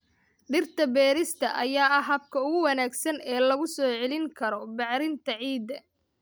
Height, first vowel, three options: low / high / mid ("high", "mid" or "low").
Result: high